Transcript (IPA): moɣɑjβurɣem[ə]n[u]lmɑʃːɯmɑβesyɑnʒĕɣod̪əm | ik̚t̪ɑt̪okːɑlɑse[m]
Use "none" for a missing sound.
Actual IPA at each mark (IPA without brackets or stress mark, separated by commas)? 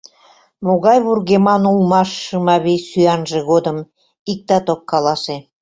ɑ, u, none